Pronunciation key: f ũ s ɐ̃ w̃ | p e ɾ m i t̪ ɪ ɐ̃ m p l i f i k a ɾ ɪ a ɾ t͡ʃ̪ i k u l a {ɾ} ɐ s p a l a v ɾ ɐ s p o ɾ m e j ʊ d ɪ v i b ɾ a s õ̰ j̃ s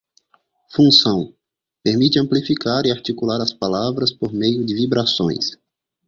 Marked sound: correct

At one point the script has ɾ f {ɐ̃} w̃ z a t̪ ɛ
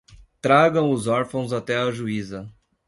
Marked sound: correct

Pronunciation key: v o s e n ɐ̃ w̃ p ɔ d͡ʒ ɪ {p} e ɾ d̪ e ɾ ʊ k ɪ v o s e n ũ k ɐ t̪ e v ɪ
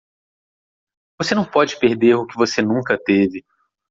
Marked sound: correct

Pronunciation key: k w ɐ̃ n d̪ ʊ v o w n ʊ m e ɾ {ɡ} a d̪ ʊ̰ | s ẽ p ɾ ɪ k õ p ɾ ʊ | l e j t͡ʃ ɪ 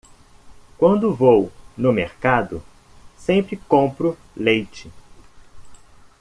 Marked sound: incorrect: k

